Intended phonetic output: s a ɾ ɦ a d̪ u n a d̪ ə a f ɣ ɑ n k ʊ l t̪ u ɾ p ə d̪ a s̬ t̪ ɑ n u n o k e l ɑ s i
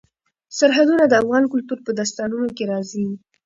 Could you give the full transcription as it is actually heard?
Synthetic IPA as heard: s a ɾ ɦ a d̪ u n a d̪ ə a f ɣ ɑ n k ʊ l t̪ u ɾ p ə d̪ a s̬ t̪ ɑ n u n o k e ɾ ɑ z i